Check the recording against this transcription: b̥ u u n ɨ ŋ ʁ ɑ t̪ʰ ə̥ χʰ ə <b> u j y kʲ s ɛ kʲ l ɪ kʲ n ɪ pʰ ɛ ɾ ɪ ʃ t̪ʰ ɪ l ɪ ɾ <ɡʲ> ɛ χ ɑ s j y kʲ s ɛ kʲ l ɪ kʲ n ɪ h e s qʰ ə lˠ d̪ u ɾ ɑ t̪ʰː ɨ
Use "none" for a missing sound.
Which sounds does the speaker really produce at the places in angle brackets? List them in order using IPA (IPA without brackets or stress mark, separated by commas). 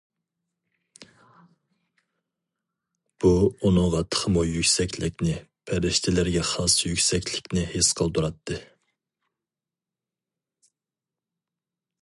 m, ɡʲ